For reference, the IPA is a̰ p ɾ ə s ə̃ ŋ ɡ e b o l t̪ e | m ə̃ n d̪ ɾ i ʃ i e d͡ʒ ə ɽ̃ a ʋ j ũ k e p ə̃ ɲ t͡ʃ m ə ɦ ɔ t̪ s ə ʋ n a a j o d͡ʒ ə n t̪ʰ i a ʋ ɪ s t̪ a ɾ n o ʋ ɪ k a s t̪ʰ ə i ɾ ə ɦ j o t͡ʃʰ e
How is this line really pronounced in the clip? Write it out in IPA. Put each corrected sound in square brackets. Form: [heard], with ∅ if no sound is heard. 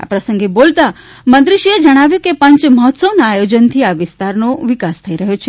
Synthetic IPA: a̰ p ɾ ə s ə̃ ŋ ɡ e b o l t̪ [a] | m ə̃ n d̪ ɾ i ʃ i e d͡ʒ ə ɽ̃ a ʋ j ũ k e p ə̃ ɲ t͡ʃ m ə ɦ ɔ t̪ s ə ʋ n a a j o d͡ʒ ə n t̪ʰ i a ʋ ɪ s t̪ a ɾ n o ʋ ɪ k a s t̪ʰ ə i ɾ ə ɦ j o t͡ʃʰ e